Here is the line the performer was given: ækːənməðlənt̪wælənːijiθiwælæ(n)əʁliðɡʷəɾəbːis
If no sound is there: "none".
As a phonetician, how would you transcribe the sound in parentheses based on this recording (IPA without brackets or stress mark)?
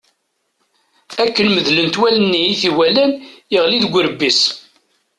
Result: n